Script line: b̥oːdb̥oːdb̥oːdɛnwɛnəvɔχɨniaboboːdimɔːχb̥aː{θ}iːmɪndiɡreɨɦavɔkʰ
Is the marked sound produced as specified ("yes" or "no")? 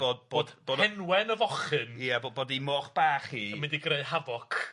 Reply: no